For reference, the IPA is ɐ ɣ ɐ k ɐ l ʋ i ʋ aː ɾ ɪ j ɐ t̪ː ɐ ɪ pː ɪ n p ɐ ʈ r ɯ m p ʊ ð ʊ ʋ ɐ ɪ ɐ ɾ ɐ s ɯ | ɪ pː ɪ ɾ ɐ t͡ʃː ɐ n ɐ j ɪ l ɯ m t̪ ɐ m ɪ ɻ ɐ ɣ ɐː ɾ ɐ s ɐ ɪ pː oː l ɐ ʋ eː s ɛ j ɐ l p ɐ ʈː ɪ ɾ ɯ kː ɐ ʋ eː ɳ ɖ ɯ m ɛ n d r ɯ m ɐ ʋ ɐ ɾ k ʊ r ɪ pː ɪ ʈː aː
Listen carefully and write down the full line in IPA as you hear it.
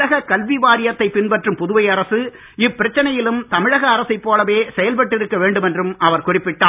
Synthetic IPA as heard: ɐ ɣ ɐ k ɐ l ʋ i ʋ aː ɾ ɪ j ɐ t̪ː ɐ ɪ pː ɪ n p ɐ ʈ r ɯ m p ʊ ð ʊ ʋ ɐ ɪ ɐ ɾ ɐ s ɯ | ɪ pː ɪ ɾ ɐ t͡ʃː ɐ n ɐ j ɪ l ɯ m t̪ ɐ m ɪ ɻ ɐ ɣ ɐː ɾ ɐ s ɐ ɪ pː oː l ɐ ʋ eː s ɛ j ɐ l p ɐ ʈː ɪ ɾ ɯ kː ɐ ʋ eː ɳ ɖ ɯ m ɛ n d r ɯ m ɐ ʋ ɐ ɾ k ʊ r ɪ pː ɪ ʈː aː